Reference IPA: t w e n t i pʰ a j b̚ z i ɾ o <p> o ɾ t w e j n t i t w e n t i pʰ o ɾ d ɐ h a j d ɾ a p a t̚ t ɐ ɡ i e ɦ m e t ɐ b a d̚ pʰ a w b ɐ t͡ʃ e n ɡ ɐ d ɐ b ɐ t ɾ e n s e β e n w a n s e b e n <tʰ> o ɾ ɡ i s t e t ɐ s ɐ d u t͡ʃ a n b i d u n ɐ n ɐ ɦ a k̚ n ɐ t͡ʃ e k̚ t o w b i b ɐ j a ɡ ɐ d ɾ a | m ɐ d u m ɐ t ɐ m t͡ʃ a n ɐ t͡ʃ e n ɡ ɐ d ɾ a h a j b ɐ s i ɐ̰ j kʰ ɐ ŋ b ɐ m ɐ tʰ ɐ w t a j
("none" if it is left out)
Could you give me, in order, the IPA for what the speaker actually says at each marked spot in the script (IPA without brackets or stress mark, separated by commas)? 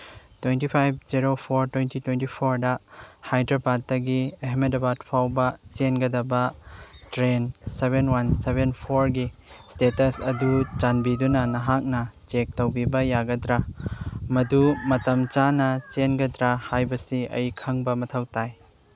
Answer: pʰ, pʰ